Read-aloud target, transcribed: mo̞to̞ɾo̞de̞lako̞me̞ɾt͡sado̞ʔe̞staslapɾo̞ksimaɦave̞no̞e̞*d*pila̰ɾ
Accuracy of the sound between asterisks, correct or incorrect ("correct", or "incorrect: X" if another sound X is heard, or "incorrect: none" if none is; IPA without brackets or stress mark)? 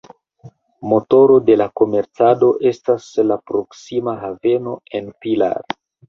incorrect: n